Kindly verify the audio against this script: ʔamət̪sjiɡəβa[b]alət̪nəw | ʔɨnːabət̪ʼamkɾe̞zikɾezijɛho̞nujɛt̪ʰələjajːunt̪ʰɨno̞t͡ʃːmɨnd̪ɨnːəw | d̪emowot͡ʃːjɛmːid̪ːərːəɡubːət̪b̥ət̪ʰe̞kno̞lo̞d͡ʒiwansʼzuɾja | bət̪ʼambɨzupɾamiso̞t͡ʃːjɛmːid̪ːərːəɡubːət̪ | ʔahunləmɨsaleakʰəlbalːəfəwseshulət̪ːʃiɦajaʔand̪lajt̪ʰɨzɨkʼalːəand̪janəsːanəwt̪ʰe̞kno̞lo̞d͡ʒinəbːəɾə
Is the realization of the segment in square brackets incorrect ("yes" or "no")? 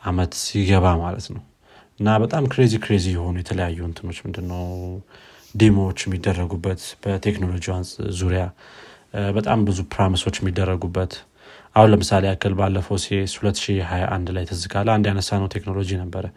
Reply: yes